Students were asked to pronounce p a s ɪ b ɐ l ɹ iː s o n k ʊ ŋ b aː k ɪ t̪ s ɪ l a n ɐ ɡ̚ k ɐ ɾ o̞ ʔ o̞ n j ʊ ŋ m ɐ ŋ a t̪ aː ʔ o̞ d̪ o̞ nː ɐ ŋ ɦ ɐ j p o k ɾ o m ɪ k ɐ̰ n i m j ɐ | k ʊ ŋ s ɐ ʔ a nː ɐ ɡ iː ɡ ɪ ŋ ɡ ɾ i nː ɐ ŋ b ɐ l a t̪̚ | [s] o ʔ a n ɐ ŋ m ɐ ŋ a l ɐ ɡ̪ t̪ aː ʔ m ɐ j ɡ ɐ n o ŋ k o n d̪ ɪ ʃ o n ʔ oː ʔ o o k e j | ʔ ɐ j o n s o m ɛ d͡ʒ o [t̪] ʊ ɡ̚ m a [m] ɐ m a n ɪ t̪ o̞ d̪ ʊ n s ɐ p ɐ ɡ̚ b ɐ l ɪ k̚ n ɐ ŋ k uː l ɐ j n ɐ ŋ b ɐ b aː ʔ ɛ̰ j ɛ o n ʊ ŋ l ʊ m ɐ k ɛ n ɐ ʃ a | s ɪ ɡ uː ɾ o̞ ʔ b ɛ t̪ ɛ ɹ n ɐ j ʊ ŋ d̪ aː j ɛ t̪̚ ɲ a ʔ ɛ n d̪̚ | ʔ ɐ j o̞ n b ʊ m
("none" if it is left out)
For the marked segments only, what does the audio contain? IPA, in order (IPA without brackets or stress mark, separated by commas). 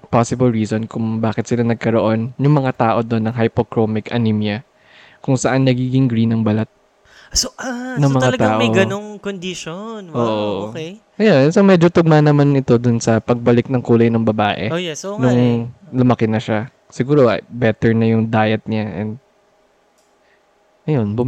s, t̪, n